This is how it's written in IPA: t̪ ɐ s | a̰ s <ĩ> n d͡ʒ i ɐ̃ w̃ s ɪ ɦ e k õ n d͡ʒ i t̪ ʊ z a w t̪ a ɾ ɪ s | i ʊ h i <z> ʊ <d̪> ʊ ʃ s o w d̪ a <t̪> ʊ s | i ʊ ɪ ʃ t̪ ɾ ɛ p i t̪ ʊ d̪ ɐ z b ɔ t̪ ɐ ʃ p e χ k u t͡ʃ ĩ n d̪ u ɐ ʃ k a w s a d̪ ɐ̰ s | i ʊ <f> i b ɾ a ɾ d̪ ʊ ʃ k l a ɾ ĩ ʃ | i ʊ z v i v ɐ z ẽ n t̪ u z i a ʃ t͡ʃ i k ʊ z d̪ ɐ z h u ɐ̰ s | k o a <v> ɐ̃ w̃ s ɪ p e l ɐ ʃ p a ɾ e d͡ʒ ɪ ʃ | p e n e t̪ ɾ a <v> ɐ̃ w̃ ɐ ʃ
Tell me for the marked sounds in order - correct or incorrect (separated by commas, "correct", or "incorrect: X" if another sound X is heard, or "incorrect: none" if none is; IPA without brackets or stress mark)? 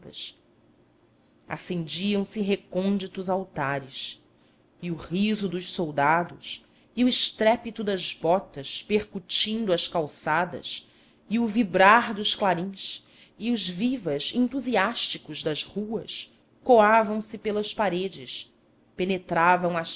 incorrect: ẽ, correct, correct, incorrect: d̪, incorrect: v, correct, correct